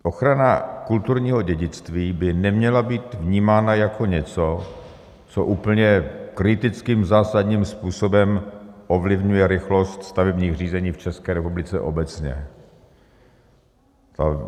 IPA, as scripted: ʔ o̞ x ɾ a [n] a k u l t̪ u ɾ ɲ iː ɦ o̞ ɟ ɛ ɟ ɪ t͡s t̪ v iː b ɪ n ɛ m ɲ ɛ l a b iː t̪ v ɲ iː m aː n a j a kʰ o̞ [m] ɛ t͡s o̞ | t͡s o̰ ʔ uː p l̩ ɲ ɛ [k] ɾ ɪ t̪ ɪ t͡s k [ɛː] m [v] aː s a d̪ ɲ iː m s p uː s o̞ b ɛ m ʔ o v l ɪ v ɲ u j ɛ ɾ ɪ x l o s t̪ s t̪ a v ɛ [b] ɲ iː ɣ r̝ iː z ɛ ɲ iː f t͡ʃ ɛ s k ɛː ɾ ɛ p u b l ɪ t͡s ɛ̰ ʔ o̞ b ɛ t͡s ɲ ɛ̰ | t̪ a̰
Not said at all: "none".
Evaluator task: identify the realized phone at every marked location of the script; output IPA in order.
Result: n, ɲ, k, iː, z, b

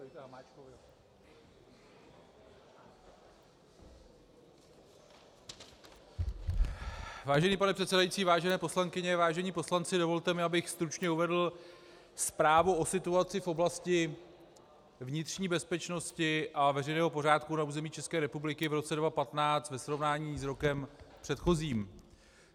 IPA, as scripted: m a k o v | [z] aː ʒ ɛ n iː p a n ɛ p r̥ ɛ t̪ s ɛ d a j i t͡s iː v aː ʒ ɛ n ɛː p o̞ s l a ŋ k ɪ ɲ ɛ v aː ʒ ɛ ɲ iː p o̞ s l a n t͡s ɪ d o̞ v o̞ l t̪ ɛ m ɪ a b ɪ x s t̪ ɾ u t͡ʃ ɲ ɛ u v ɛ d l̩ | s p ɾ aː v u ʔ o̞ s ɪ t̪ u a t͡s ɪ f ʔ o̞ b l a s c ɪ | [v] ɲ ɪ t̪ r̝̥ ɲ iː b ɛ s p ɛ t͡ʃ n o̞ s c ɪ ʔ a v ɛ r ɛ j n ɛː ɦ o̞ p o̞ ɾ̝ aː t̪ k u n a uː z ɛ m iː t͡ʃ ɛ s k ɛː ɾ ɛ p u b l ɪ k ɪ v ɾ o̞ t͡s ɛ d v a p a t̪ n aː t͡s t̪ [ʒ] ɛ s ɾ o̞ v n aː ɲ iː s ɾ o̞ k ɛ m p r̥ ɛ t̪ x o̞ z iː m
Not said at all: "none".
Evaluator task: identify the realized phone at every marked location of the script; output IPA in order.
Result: v, v, v

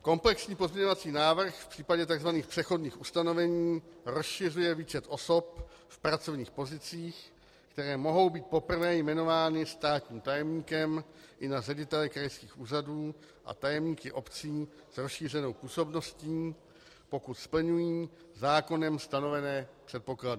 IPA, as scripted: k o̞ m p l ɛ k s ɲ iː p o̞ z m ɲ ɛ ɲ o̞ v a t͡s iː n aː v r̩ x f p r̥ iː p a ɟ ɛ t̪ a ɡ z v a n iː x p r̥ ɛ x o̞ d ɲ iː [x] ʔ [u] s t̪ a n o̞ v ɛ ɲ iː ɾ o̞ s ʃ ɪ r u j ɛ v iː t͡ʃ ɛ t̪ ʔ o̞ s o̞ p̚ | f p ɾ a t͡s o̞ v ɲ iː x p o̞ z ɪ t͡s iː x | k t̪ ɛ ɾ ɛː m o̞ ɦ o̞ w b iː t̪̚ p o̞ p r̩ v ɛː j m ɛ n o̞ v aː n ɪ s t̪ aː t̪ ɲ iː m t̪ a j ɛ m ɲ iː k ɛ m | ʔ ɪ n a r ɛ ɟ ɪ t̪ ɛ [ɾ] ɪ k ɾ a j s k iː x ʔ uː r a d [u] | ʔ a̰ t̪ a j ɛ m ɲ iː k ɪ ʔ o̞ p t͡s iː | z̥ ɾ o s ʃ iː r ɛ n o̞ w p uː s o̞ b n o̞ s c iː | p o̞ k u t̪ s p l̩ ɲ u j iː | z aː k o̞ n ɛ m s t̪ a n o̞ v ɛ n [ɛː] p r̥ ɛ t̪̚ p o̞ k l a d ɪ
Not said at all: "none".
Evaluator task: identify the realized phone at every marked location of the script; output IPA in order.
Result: x, u, l, uː, ɛː

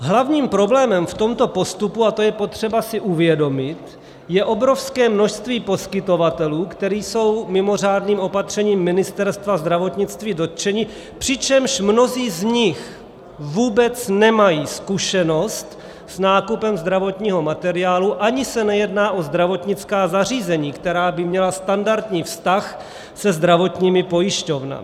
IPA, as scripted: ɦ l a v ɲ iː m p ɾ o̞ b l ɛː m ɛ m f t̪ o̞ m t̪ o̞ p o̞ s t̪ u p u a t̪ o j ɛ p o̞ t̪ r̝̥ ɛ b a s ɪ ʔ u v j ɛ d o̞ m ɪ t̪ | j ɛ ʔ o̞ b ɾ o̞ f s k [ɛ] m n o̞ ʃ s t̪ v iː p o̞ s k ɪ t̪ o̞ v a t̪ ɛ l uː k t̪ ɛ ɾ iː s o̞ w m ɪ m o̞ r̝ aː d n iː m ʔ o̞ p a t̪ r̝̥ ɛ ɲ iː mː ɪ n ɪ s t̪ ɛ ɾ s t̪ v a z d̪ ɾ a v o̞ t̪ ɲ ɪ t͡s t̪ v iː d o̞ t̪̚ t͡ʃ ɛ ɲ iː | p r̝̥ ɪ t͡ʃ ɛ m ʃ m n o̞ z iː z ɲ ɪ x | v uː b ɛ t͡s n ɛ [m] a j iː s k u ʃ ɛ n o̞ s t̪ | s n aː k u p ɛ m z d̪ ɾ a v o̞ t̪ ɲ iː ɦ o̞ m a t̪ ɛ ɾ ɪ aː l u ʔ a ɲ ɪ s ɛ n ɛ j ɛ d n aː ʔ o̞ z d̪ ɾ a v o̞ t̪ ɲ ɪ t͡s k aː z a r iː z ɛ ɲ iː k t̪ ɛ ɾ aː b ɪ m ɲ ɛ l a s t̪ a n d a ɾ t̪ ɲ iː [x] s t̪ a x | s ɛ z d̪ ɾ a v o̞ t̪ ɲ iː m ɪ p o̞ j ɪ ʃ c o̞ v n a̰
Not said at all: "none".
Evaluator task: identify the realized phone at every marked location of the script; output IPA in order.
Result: ɛː, m, f

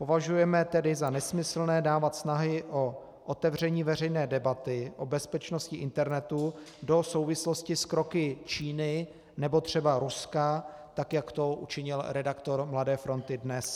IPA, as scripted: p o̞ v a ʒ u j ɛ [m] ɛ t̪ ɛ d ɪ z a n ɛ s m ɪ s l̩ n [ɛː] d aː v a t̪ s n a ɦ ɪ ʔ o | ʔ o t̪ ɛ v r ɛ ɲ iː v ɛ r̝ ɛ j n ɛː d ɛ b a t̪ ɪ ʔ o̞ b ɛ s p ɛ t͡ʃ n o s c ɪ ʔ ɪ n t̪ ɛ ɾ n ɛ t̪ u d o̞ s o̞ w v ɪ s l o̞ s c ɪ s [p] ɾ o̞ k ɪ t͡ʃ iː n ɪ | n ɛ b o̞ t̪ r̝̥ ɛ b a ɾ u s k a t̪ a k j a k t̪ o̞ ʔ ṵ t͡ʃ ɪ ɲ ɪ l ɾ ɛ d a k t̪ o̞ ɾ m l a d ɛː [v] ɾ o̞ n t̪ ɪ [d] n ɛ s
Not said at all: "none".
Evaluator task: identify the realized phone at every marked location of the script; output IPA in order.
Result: m, ɛː, k, f, d

